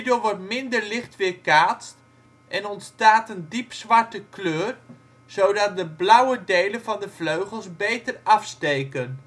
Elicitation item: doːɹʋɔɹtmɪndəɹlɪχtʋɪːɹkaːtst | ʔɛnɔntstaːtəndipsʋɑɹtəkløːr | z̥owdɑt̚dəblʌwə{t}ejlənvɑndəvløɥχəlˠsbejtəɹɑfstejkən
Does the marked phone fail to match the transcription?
yes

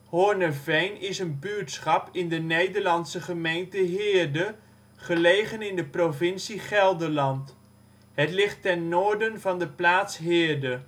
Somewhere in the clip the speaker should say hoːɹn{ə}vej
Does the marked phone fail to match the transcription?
no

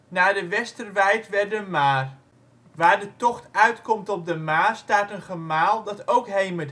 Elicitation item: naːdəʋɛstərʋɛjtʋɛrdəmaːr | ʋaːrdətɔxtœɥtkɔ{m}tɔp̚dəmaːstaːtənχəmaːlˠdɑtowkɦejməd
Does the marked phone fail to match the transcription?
no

